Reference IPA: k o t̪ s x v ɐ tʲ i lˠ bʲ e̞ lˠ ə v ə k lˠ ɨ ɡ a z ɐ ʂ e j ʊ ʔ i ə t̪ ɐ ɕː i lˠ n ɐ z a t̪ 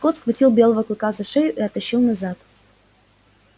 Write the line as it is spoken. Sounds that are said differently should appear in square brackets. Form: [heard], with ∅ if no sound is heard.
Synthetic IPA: k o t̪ s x v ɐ tʲ i lˠ bʲ e̞ lˠ ə v ə k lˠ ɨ [k] a z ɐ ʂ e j ʊ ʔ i [ɐ] t̪ ɐ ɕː i lˠ n ɐ z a t̪